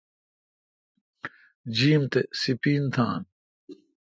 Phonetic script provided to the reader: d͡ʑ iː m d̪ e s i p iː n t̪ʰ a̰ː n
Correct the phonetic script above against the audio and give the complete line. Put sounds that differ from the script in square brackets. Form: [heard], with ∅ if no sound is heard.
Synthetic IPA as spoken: d͡ʑ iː m [t̪] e s i p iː n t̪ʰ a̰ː n